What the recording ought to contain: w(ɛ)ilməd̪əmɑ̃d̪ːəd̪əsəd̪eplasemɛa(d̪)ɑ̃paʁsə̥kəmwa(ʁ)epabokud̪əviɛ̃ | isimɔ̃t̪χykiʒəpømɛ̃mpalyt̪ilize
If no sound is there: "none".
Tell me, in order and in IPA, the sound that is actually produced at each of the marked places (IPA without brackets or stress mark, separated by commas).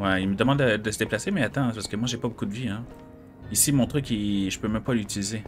ɛ, t̪, ʒ